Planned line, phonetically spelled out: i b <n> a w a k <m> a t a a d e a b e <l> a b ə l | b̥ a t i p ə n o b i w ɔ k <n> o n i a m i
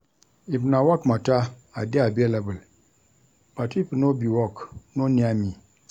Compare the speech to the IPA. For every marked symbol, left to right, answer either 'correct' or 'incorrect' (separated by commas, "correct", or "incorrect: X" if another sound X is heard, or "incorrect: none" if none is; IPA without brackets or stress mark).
correct, correct, correct, correct